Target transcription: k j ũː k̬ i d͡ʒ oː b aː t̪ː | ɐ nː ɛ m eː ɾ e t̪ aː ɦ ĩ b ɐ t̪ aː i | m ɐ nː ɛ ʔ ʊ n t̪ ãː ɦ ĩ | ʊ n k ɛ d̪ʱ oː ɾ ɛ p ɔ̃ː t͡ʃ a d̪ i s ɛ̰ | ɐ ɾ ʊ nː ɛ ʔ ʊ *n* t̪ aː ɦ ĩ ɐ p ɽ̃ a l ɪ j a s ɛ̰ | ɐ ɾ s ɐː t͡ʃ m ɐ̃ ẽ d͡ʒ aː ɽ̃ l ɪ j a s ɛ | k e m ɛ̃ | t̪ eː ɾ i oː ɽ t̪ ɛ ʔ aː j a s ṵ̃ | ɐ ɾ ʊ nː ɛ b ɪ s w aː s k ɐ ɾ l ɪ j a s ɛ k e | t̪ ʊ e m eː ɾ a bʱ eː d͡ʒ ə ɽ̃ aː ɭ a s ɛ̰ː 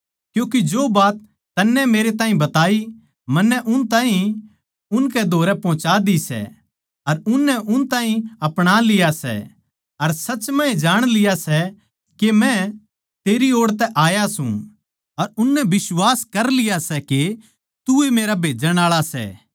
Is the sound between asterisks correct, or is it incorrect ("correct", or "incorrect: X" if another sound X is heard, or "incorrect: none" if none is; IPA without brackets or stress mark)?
correct